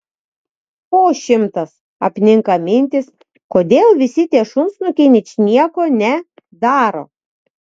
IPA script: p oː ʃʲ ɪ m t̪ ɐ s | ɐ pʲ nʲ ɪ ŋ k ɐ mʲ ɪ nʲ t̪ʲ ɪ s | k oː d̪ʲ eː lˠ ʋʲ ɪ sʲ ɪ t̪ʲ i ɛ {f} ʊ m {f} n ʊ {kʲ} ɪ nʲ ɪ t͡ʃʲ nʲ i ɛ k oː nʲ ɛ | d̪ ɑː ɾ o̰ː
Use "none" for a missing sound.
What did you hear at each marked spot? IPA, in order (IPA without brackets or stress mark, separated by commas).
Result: ʃ, s, kʲ